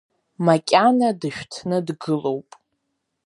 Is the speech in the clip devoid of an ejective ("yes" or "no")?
no